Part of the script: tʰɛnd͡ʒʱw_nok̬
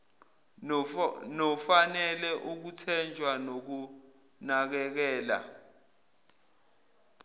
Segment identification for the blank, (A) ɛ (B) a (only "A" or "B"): B